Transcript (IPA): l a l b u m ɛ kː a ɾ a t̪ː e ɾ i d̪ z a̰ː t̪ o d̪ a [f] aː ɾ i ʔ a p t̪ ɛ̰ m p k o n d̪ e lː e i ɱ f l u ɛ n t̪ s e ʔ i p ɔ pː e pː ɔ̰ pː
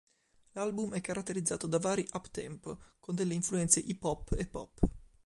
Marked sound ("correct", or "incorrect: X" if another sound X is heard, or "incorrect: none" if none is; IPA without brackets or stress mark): incorrect: v